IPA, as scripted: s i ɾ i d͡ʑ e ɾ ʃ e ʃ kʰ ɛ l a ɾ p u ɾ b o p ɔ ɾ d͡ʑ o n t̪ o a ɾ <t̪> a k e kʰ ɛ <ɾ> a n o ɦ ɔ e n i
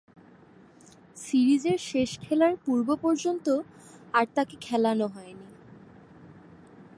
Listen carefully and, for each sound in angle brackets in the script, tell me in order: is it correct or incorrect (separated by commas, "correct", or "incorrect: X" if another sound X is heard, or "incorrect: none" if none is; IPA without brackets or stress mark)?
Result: correct, incorrect: l